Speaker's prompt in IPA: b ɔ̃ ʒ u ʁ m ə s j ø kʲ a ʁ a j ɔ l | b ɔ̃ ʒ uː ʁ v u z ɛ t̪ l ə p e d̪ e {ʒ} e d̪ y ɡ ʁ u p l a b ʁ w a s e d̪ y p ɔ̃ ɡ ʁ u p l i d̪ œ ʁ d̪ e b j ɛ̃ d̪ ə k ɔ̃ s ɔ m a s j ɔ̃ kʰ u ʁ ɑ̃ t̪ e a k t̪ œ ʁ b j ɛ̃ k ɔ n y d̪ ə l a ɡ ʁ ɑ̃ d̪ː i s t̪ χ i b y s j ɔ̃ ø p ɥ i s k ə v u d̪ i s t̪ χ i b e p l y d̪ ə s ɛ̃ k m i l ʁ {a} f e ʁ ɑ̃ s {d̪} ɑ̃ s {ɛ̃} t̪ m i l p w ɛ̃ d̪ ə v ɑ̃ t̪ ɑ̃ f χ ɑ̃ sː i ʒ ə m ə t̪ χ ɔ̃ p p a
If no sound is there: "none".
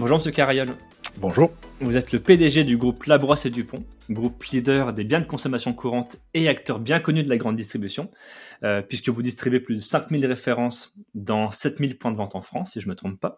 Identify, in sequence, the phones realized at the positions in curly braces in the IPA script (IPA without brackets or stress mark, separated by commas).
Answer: ʒ, e, d̪, ɛ